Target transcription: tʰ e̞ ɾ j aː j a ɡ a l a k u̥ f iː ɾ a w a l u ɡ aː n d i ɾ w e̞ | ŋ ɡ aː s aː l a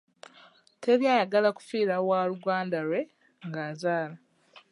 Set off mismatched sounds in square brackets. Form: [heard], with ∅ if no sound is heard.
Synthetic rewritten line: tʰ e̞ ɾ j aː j a ɡ a l a k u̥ f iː ɾ a w a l u ɡ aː n d [a] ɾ w e̞ | ŋ ɡ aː [z] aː l a